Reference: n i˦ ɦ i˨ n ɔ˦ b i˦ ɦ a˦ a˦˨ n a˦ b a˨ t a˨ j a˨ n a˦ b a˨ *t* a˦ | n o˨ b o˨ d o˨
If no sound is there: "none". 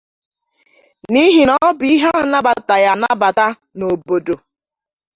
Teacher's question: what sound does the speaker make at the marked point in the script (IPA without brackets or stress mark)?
t